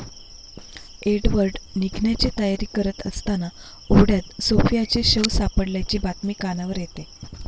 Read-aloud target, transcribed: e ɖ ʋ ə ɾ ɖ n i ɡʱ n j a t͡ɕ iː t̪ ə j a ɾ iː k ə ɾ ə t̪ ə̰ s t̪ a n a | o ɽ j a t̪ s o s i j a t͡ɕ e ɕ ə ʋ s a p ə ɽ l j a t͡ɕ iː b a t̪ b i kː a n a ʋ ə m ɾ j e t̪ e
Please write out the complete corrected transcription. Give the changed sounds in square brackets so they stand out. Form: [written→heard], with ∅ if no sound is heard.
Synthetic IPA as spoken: e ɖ ʋ ə ɾ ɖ n i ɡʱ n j a t͡ɕ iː t̪ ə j a ɾ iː k ə ɾ ə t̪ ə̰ s t̪ a n a | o ɽ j a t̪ s o [s→f] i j a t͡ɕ e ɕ ə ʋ s a p ə ɽ l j a t͡ɕ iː b a t̪ [b→m] i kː a n a ʋ ə [m→∅] ɾ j e t̪ e